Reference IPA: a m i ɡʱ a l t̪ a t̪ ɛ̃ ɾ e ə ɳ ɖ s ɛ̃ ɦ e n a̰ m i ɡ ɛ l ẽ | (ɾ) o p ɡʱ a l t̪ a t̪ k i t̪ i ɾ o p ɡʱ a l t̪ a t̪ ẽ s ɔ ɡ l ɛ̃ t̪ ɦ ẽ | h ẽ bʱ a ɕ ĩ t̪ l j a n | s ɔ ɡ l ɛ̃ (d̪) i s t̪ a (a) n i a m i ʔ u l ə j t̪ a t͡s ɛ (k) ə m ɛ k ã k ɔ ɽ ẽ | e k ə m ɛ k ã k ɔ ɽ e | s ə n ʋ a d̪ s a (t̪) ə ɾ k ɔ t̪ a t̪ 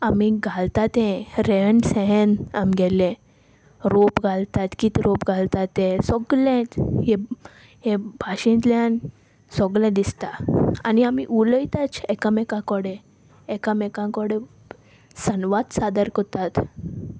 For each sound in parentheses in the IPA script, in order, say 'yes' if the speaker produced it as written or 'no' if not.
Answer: yes, yes, yes, yes, no

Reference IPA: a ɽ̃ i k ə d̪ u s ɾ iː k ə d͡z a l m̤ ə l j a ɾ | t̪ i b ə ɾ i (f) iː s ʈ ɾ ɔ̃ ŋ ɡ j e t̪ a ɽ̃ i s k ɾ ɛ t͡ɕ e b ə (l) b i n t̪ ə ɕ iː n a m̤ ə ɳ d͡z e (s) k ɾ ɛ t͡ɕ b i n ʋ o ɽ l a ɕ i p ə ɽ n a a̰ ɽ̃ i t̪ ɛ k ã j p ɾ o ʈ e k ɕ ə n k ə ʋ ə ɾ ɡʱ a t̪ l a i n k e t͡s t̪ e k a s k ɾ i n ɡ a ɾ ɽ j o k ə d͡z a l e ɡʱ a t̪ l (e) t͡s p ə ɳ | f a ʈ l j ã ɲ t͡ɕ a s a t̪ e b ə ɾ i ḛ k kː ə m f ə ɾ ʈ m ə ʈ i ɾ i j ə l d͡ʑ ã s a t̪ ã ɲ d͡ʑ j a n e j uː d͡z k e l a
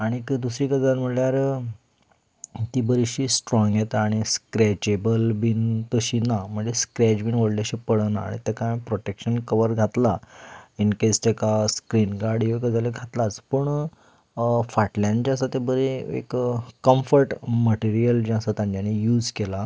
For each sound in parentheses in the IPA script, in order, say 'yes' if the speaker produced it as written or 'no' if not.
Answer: no, yes, yes, no

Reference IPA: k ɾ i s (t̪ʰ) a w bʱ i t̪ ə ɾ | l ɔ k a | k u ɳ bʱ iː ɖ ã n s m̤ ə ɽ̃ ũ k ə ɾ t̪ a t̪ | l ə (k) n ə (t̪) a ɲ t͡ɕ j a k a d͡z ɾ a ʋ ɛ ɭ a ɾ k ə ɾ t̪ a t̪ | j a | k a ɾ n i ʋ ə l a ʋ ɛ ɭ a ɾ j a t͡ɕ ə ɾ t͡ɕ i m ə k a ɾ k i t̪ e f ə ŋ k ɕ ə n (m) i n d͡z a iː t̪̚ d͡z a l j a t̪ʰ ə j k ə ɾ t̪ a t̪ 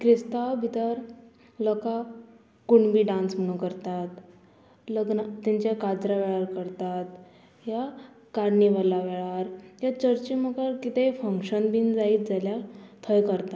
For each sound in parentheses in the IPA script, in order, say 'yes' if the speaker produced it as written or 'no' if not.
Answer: no, no, yes, no

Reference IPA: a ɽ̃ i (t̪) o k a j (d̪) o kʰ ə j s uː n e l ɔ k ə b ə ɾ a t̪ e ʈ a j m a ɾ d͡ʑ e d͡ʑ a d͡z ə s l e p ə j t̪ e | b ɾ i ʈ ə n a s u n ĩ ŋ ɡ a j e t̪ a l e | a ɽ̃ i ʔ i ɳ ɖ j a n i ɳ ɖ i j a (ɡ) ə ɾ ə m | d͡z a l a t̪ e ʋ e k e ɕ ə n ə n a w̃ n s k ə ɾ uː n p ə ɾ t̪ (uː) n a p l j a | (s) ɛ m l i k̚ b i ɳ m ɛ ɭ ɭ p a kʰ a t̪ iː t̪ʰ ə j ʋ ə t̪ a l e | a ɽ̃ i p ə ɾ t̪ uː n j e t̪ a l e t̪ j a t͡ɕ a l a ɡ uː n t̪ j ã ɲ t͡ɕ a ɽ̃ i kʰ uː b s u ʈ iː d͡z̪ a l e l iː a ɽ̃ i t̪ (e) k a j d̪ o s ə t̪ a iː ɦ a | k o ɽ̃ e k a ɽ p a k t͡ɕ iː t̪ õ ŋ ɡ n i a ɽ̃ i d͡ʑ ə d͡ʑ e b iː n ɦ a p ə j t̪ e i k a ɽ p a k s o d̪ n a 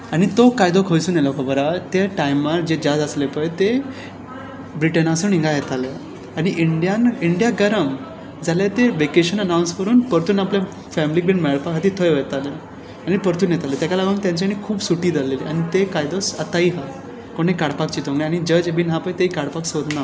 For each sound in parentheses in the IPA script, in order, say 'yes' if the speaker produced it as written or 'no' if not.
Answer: yes, yes, yes, yes, no, yes

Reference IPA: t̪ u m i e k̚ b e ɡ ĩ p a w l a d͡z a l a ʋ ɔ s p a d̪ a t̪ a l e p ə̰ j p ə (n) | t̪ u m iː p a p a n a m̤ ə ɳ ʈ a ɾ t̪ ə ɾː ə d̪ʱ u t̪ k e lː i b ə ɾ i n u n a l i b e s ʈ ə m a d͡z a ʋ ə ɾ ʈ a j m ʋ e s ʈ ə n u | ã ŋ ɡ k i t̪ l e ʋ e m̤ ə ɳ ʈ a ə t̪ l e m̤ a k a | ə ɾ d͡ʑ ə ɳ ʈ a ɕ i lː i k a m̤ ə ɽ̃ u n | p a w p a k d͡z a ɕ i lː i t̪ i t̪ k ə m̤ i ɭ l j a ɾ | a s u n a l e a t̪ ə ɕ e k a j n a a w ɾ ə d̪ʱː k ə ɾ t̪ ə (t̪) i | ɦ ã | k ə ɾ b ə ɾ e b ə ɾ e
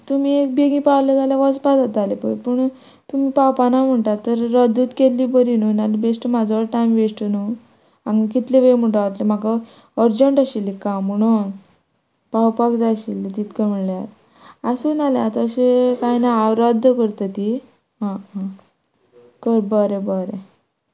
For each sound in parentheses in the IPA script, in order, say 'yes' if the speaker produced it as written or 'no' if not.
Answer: no, yes

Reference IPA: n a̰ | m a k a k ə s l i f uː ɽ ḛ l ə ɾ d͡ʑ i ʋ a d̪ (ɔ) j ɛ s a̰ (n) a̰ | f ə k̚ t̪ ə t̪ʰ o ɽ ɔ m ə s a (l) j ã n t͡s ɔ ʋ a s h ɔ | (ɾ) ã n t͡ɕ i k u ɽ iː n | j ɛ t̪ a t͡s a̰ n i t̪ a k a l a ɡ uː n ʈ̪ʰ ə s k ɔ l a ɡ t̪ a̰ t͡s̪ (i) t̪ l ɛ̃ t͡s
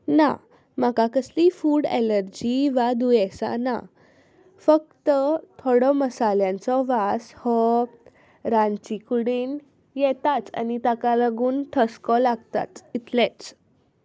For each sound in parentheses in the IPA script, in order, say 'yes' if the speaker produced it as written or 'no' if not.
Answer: no, yes, yes, yes, yes

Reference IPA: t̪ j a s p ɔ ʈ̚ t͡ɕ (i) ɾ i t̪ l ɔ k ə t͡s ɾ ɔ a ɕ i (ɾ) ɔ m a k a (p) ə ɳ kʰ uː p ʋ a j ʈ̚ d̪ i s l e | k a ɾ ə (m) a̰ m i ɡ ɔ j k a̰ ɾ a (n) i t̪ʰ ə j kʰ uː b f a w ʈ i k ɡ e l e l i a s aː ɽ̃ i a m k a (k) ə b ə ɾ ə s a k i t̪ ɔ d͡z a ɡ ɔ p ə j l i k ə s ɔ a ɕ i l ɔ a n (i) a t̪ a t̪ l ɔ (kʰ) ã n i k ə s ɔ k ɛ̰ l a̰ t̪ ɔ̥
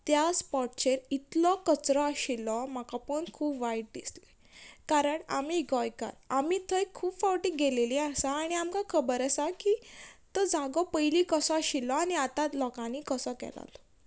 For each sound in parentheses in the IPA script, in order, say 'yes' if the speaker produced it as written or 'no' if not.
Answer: no, no, yes, no, no, no, yes, no

